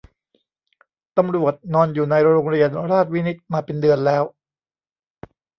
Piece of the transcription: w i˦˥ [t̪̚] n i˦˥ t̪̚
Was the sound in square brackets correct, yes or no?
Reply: no